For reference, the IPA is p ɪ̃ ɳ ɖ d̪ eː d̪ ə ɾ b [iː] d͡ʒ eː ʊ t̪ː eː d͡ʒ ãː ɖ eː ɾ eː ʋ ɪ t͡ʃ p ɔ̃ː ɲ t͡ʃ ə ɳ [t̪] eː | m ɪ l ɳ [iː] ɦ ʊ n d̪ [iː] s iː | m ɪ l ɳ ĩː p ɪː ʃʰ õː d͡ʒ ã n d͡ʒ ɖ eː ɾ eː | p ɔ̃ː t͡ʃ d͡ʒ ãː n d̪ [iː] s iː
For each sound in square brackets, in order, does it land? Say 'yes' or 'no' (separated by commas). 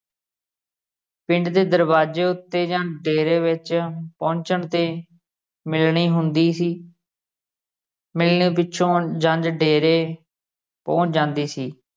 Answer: no, yes, yes, yes, yes